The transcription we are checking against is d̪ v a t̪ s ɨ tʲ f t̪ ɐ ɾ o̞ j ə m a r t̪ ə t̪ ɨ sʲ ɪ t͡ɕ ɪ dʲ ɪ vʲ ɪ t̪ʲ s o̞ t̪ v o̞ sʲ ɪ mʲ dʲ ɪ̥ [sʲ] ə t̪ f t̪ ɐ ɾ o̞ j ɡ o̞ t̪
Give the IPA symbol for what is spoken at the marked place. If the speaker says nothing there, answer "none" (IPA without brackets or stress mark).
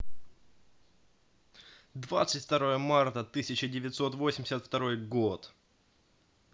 sʲ